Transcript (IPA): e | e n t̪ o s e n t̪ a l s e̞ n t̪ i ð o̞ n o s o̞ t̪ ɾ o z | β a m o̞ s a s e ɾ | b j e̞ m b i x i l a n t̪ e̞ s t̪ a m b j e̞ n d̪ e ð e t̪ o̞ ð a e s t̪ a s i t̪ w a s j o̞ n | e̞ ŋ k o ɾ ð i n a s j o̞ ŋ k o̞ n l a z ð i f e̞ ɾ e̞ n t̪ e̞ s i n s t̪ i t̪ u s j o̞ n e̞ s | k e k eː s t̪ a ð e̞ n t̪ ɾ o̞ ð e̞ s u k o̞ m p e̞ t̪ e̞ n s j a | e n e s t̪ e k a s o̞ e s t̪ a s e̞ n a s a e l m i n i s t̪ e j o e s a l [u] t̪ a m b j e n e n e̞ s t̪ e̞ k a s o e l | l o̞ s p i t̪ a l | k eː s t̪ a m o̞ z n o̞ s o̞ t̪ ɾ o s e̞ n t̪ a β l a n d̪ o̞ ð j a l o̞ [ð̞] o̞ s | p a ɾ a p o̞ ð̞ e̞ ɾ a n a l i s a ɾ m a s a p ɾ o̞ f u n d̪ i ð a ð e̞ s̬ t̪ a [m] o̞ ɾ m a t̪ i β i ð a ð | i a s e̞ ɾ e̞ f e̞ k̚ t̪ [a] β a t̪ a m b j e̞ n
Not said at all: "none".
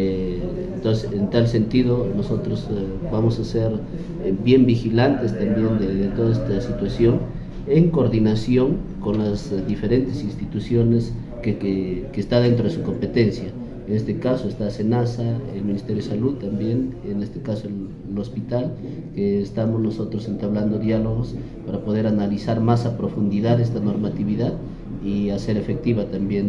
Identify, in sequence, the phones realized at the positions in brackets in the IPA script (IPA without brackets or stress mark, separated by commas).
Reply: u, ɣ̞, n, i